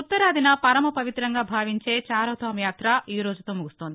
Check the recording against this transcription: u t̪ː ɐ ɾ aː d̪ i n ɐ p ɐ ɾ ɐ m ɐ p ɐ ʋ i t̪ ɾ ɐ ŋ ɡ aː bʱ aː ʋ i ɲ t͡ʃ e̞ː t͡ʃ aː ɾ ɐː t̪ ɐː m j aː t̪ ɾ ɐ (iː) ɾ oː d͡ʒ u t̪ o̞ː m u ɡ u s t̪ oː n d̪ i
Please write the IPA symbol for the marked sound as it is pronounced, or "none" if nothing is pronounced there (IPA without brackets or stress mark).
iː